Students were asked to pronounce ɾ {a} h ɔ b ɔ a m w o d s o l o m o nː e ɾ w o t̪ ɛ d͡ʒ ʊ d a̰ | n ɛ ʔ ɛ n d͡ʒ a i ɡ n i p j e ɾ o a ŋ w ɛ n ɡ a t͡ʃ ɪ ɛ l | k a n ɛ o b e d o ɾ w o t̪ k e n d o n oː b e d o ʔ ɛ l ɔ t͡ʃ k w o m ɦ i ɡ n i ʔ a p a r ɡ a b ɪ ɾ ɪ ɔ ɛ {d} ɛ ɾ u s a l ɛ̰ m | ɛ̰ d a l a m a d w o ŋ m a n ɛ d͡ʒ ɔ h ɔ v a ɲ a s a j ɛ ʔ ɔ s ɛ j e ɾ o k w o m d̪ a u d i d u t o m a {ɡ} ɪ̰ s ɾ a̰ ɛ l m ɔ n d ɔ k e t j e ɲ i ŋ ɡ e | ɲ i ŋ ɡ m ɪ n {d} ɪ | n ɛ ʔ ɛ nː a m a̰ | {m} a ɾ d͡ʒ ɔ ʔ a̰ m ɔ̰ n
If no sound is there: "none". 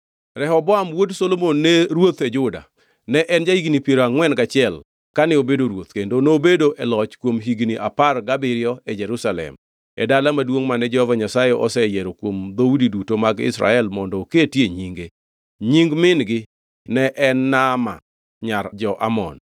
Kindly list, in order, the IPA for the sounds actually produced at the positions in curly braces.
ɛ, d͡ʒ, ɡ, ɡ, ɲ

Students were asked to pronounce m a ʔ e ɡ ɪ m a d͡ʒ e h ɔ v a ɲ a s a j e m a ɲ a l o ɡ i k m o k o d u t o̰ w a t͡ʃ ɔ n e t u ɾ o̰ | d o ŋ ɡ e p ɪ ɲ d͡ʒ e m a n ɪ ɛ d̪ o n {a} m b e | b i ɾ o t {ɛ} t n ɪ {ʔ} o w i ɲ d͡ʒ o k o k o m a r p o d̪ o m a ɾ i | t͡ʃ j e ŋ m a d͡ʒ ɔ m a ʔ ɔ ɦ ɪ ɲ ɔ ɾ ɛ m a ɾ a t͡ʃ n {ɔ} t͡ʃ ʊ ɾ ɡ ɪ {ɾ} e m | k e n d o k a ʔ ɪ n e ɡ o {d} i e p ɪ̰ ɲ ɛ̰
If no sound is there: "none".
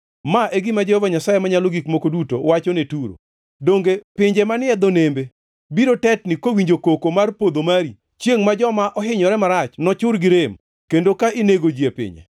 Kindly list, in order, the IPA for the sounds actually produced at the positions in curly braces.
e, ɛ, k, ɔ, ɾ, d͡ʒ

